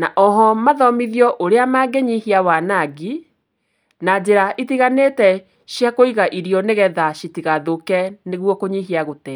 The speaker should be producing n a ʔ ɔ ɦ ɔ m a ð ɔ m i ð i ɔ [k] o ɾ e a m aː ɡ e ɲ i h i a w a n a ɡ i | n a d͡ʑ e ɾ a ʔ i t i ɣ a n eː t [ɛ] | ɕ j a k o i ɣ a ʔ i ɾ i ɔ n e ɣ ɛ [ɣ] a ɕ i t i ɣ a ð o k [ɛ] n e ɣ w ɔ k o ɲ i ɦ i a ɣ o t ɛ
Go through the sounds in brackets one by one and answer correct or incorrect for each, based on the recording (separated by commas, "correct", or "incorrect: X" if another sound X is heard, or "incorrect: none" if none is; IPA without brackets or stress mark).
incorrect: ʔ, correct, incorrect: ð, correct